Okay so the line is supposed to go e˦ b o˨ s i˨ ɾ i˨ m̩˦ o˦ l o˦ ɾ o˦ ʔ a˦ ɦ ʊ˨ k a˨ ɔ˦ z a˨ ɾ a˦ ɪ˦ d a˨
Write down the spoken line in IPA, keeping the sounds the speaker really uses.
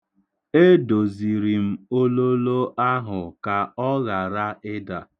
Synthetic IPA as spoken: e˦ d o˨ z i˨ ɾ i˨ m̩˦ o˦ l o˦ l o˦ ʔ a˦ ɦ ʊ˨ k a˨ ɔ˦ ɣ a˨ ɾ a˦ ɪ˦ d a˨